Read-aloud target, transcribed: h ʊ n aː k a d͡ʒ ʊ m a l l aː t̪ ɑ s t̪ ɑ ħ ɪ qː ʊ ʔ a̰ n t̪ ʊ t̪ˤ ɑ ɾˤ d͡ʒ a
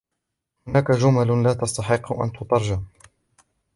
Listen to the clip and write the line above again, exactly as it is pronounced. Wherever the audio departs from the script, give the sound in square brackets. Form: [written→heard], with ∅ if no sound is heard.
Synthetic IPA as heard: h ʊ n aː k a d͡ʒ ʊ m a l l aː t̪ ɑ s t̪ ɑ ħ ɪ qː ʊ ʔ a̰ n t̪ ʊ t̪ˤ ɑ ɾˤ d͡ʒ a